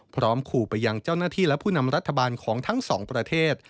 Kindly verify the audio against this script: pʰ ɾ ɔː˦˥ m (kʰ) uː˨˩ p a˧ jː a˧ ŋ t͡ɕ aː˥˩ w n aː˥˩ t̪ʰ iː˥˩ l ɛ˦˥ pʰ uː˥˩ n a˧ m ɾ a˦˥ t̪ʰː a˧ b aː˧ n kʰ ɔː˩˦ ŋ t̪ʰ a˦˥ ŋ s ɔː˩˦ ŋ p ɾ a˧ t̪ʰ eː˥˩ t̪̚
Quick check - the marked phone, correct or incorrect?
correct